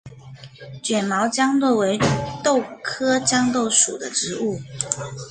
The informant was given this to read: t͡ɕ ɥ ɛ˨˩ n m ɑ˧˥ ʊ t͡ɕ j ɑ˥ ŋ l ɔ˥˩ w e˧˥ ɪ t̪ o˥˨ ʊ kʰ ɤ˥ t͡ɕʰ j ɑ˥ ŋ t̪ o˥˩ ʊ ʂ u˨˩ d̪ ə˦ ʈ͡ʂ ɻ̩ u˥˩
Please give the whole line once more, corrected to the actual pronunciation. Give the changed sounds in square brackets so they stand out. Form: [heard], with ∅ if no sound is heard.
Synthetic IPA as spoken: t͡ɕ ɥ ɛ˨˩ n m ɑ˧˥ ʊ t͡ɕ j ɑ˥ ŋ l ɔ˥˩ w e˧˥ ɪ t̪ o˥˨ ʊ kʰ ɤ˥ [t͡ɕ] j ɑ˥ ŋ t̪ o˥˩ ʊ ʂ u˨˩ d̪ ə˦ ʈ͡ʂ ɻ̩ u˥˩